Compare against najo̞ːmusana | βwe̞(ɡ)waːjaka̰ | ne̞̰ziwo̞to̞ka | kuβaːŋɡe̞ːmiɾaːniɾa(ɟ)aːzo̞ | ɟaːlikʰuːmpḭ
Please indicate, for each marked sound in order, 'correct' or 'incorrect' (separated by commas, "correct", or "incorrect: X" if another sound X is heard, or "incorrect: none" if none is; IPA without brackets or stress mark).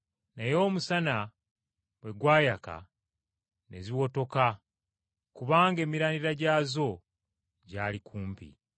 correct, correct